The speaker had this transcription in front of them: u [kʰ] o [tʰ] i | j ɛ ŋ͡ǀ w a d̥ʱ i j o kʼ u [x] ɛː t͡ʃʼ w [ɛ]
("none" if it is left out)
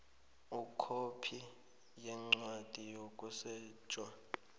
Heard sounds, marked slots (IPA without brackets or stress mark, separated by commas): kʰ, pʰ, s, a